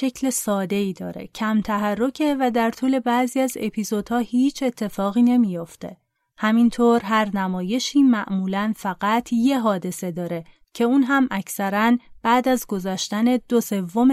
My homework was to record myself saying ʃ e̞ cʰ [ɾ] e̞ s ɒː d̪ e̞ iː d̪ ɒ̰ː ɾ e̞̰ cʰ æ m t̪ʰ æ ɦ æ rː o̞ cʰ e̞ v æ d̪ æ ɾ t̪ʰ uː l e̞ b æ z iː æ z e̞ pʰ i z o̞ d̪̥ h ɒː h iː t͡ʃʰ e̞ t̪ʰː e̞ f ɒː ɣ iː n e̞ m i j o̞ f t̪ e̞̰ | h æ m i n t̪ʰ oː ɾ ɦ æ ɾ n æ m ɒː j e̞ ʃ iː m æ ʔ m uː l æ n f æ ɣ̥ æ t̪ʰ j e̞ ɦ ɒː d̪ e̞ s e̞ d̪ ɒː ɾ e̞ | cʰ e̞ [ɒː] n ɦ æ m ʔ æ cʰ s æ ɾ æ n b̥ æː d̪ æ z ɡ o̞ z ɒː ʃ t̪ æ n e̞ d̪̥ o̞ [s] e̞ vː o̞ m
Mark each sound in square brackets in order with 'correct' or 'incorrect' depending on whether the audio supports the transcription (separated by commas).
incorrect, incorrect, correct